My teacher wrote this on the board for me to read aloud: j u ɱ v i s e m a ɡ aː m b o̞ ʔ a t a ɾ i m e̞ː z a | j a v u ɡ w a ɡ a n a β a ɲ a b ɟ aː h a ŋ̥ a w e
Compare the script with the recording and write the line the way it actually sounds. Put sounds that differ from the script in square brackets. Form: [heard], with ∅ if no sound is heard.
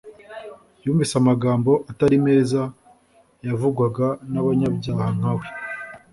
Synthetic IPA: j [uː] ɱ v i s [a] m a ɡ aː m b o̞ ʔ a t a ɾ i m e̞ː z a | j a v u ɡ w a ɡ a n a β a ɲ a b ɟ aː h a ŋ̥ a w e